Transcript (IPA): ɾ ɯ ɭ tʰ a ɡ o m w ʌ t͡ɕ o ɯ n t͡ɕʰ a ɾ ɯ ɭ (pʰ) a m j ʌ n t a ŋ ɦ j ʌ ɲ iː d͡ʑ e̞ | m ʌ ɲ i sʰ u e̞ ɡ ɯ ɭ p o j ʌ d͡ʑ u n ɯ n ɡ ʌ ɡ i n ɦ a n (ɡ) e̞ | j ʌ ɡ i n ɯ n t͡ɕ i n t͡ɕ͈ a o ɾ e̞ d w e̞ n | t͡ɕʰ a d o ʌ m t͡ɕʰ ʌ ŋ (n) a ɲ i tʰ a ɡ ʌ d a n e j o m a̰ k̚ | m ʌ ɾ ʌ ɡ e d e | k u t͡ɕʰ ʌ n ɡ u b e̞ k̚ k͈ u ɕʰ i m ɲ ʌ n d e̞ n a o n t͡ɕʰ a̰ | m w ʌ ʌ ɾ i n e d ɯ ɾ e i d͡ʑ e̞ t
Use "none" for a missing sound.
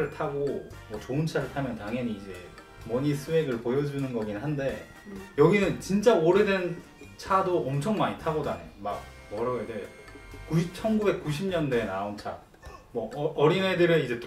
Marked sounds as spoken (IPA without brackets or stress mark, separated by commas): tʰ, d, m